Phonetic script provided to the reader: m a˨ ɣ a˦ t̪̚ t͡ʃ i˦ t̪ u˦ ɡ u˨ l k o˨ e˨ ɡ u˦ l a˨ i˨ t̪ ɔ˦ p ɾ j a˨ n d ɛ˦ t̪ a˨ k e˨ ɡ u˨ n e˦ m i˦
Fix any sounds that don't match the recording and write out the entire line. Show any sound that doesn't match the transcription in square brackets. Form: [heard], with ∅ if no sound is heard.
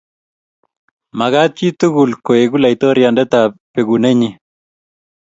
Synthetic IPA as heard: m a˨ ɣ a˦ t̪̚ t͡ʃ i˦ t̪ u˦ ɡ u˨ l k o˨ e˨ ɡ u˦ l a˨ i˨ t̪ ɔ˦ [∅] ɾ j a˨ n d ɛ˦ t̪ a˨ [p] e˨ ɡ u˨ n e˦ [ɲ] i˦